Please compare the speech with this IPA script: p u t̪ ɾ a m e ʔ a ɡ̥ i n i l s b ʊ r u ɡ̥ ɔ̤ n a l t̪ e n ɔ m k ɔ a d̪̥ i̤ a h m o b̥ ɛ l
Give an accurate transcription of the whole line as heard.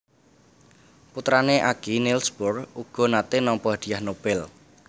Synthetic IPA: p u t̪ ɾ a n e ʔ a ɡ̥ i n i l s b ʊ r u ɡ̥ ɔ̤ n a t̪ e n ɔ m p ɔ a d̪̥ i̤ a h n o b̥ ɛ l